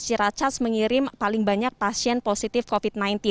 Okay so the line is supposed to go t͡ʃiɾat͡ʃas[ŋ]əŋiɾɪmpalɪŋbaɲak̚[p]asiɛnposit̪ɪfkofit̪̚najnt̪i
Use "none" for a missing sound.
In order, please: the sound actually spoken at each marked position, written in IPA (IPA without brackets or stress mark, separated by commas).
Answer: m, p